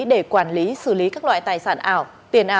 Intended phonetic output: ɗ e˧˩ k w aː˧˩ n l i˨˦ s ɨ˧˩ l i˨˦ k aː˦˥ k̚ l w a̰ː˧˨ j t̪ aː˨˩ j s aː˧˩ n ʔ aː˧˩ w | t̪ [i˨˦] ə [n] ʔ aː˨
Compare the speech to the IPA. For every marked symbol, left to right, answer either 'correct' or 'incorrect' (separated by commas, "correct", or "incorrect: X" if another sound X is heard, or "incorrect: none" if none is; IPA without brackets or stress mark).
incorrect: i˨˩, correct